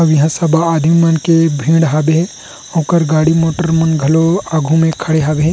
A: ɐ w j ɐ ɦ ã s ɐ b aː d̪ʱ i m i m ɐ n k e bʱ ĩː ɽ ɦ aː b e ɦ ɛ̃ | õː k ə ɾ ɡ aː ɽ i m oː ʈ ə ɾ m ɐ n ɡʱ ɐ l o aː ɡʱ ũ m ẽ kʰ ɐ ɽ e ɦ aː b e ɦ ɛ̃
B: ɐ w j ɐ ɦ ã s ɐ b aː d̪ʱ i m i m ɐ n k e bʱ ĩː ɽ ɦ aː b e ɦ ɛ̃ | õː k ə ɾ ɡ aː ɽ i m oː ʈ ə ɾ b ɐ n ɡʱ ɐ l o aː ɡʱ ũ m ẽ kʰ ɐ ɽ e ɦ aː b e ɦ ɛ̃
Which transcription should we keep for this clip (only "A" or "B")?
A